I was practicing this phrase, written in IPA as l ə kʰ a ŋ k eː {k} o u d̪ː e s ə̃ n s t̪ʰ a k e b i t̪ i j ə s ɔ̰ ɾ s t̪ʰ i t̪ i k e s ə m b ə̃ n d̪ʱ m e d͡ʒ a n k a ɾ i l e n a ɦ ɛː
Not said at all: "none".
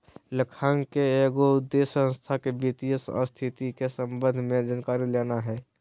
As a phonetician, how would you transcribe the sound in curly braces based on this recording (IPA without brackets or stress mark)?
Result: ɡ